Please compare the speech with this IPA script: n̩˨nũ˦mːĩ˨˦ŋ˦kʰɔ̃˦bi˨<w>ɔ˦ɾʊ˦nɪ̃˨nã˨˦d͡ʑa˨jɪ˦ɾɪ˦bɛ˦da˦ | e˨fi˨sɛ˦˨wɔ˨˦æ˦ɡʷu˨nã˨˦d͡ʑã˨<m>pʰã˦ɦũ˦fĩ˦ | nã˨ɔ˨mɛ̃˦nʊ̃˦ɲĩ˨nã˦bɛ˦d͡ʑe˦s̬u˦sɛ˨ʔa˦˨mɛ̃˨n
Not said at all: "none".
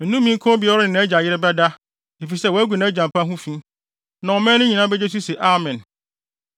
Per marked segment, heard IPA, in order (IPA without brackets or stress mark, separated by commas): none, m